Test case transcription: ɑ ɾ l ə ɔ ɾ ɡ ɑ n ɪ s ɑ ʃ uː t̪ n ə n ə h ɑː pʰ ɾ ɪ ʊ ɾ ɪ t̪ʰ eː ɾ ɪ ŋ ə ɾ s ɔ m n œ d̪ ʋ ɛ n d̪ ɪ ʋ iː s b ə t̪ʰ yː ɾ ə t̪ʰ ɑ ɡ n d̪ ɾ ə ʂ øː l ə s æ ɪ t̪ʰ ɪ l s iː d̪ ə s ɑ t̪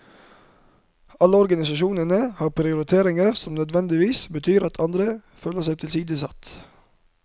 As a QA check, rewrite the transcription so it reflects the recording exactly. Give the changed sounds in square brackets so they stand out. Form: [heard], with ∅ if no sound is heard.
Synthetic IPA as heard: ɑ [∅] l ə ɔ ɾ ɡ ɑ n ɪ s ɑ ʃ uː [∅] n ə n ə h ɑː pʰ ɾ ɪ ʊ ɾ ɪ t̪ʰ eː ɾ ɪ ŋ ə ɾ s ɔ m n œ d̪ ʋ ɛ n d̪ ɪ ʋ iː s b ə t̪ʰ yː ɾ [ɑ] t̪ʰ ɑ [∅] n d̪ ɾ ə [f] øː l ə s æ ɪ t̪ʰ ɪ l s iː d̪ ə s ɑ t̪